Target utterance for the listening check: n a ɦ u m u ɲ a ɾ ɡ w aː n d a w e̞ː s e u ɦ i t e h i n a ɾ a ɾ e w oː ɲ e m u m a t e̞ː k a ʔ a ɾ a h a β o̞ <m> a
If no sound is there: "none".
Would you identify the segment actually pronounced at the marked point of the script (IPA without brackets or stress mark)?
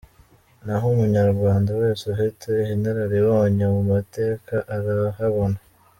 n